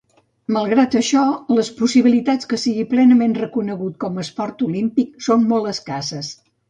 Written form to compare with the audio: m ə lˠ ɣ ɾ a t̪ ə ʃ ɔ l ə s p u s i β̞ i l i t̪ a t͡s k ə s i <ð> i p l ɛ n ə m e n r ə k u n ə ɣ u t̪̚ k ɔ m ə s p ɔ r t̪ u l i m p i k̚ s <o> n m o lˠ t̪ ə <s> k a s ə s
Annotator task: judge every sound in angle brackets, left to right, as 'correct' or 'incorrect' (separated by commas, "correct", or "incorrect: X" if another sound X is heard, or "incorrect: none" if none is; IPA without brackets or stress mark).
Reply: incorrect: ɣ, correct, correct